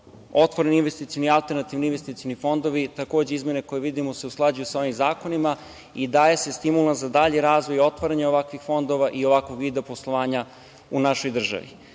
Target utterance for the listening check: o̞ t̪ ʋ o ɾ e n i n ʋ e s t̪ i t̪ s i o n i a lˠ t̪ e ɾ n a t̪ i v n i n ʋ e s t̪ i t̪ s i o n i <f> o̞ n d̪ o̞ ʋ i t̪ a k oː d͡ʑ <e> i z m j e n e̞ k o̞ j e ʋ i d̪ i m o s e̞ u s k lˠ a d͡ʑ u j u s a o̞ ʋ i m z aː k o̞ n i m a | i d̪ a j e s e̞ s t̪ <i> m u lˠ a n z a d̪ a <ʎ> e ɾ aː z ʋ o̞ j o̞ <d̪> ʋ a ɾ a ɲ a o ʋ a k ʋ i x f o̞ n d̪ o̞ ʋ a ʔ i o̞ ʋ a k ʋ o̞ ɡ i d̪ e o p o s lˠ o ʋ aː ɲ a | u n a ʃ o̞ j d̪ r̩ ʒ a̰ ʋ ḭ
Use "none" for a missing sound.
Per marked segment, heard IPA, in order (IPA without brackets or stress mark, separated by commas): f, e, i, ʎ, t̪